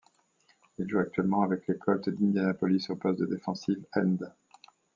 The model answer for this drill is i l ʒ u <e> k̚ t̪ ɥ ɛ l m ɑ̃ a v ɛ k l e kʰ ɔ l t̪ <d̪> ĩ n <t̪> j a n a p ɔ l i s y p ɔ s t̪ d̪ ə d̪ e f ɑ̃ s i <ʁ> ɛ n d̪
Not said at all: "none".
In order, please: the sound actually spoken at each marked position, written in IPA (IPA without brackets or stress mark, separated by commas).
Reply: a, d̪, d̪, v